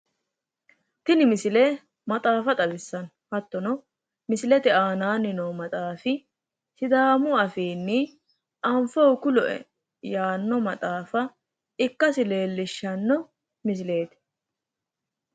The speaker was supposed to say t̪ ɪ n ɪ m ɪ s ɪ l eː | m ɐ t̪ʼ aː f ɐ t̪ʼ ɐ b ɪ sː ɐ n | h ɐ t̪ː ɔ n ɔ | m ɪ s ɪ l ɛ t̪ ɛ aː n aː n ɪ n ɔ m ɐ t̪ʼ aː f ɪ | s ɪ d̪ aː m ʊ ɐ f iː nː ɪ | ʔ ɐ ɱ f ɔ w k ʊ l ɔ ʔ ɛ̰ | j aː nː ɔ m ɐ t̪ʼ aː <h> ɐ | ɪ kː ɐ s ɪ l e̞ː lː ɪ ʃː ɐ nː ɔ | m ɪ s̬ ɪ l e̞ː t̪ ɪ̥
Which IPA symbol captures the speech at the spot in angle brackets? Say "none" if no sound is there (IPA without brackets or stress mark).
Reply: f